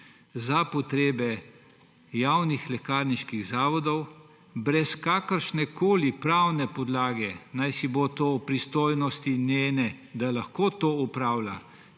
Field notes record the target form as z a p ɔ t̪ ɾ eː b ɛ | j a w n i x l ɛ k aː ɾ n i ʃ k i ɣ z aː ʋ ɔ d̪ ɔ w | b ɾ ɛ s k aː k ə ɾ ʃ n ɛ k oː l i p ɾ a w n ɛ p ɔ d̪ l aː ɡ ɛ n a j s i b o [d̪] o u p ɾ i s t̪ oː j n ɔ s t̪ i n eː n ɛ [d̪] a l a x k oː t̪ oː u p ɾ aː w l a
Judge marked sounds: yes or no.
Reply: no, yes

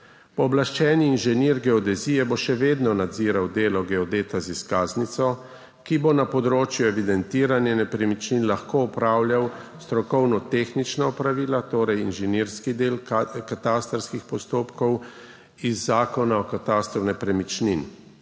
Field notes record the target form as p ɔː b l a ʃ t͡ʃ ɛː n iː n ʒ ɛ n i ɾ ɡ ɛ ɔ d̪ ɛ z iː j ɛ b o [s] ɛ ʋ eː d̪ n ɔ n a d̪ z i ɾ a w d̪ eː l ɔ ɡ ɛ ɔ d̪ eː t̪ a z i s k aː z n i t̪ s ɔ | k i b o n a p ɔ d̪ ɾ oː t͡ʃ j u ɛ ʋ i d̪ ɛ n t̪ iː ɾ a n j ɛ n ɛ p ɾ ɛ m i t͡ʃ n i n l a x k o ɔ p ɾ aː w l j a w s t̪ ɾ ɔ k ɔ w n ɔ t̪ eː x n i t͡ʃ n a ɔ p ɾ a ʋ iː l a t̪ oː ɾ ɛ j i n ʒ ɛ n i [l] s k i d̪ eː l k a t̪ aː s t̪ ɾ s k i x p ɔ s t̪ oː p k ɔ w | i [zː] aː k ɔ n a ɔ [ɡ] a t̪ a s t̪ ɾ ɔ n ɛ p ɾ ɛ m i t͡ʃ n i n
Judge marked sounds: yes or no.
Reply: no, no, yes, no

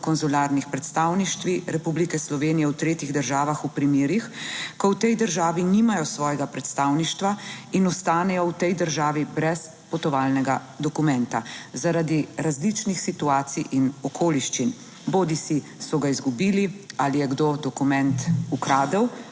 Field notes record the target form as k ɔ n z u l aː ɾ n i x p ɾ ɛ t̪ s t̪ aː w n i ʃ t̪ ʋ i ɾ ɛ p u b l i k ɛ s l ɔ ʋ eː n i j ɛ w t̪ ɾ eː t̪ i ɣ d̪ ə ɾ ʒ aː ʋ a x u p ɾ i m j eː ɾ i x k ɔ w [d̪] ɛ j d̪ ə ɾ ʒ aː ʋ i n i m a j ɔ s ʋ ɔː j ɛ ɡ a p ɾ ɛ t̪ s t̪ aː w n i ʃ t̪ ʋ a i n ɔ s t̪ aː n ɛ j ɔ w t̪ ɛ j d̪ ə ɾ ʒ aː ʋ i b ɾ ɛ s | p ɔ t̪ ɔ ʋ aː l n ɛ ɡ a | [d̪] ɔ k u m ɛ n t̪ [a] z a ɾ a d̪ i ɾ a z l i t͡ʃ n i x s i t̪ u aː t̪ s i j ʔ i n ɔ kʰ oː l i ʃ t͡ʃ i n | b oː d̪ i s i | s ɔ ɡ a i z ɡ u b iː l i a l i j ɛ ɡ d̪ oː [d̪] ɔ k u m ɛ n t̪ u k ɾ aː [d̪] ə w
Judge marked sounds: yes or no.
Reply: no, yes, yes, yes, yes

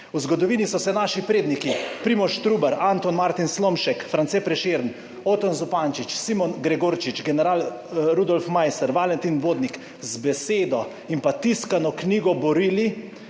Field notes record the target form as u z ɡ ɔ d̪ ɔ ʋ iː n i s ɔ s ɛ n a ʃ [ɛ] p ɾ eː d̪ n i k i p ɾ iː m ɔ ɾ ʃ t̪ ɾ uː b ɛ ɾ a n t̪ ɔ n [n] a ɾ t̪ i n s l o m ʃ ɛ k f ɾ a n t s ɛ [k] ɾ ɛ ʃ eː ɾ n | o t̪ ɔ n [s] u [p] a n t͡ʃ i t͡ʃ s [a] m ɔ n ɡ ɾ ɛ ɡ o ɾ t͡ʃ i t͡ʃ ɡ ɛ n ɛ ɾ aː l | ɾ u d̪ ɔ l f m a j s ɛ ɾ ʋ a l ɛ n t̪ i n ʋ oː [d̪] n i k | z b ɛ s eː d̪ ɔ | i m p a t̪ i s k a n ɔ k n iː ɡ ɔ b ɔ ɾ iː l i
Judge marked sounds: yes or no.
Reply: no, no, no, no, yes, no, yes

